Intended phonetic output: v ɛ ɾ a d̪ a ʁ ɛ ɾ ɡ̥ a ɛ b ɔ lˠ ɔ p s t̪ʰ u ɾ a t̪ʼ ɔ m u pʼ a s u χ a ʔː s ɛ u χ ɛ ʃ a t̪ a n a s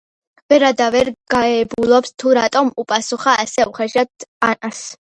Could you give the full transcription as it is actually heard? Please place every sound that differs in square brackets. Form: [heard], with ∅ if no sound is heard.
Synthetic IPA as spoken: v ɛ ɾ a d̪ a [v] ɛ ɾ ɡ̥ a ɛ b [u] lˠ ɔ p s t̪ʰ u ɾ a t̪ʼ ɔ m u pʼ a s u χ a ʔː s ɛ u χ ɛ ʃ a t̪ a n a s